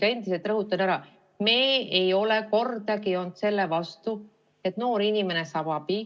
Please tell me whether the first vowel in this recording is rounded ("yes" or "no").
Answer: no